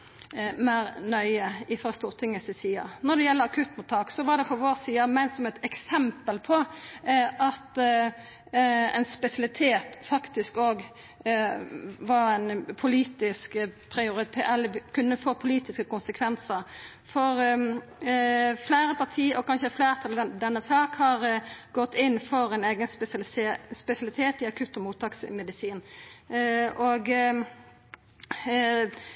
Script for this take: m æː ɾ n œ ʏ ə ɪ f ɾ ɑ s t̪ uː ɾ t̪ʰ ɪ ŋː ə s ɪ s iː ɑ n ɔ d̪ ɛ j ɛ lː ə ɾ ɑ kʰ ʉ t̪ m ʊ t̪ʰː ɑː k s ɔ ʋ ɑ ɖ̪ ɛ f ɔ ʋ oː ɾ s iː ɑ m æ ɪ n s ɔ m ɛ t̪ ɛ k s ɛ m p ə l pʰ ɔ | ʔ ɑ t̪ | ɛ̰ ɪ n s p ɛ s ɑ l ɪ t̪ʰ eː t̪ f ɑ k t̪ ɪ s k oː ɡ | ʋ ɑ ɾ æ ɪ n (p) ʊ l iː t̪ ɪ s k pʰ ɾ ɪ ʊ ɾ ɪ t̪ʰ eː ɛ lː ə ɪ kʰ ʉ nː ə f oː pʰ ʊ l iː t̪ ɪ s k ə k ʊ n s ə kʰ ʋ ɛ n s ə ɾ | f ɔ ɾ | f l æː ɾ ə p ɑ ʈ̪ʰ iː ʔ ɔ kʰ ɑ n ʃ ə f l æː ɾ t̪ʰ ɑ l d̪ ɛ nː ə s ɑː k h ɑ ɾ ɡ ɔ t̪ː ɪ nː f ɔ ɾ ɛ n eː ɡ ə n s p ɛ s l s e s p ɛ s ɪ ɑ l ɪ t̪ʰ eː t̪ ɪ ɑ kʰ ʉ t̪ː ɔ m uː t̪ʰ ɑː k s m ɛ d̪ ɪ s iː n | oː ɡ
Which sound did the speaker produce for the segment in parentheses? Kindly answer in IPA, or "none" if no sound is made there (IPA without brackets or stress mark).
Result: pʰ